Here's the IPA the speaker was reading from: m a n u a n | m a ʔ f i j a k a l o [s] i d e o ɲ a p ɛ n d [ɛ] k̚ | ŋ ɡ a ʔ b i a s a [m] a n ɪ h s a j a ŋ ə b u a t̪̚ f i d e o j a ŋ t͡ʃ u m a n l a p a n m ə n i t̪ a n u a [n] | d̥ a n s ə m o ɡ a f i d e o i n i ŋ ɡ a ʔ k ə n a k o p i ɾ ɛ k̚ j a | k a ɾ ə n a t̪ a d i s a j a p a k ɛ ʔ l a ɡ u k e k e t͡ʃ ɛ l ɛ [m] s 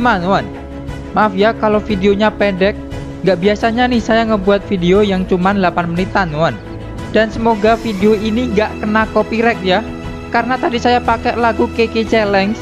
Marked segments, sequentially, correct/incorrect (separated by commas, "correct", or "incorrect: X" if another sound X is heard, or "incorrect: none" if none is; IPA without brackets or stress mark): incorrect: f, correct, incorrect: ɲ, correct, incorrect: ŋ